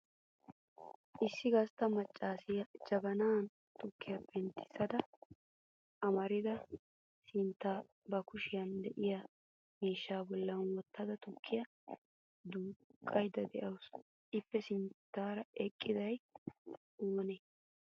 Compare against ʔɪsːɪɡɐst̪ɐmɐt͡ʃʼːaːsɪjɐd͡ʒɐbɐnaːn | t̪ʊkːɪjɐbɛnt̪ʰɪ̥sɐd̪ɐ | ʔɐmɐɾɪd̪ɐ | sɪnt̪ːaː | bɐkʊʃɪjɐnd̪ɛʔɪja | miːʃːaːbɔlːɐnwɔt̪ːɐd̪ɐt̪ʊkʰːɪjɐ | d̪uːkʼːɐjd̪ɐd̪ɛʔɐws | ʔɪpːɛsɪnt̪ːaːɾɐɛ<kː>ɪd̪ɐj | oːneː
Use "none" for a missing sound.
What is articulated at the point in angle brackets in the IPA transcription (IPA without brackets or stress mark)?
kʼː